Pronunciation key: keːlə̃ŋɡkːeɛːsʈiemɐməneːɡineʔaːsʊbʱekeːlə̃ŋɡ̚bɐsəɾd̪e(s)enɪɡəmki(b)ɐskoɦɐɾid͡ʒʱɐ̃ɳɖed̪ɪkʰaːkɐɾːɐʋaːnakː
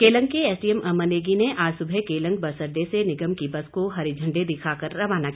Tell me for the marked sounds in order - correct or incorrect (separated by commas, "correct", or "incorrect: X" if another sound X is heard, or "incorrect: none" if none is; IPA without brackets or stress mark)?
correct, correct